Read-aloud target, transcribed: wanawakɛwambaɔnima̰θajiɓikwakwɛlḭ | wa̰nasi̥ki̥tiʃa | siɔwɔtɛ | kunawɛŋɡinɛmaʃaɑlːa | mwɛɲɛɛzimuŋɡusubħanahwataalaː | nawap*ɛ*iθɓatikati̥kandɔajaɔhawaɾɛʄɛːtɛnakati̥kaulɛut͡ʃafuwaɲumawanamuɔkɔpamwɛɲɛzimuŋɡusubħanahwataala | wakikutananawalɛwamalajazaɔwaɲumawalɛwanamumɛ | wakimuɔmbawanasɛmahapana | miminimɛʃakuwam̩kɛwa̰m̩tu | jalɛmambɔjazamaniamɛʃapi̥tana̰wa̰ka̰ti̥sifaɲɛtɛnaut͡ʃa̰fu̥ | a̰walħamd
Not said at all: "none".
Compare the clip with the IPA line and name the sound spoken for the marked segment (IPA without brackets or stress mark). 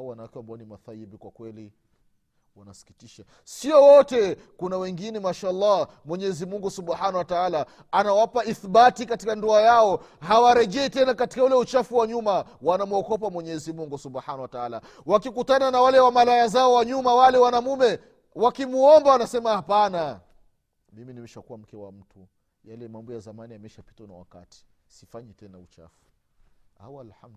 a